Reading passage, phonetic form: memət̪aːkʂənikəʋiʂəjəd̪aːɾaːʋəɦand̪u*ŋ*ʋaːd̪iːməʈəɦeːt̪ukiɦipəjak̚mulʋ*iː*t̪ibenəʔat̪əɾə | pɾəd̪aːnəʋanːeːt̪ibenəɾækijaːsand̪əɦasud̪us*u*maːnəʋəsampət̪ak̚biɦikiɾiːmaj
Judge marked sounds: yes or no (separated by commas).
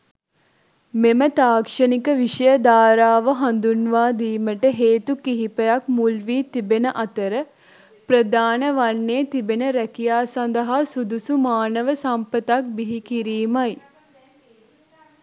no, yes, yes